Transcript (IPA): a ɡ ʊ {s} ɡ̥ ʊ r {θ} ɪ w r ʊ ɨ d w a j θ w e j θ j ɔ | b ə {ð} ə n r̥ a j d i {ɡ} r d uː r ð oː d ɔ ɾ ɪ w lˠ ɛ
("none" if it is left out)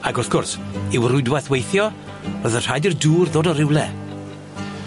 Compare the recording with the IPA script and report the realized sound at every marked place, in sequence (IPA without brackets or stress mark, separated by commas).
θ, s, ð, none